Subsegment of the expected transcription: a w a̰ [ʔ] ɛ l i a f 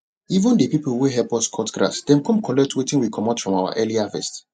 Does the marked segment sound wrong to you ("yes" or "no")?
no